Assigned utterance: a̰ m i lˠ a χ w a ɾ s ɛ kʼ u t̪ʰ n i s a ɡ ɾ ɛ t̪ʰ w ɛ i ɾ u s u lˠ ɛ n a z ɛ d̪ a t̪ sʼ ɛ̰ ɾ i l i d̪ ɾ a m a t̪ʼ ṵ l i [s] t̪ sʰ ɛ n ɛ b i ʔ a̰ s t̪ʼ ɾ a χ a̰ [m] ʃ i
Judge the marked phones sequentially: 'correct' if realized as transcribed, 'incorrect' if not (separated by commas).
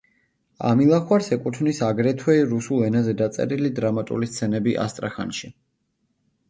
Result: correct, incorrect